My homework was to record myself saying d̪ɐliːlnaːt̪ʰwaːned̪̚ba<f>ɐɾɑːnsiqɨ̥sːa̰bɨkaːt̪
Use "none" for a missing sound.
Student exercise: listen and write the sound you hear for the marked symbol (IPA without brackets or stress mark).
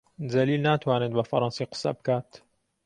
f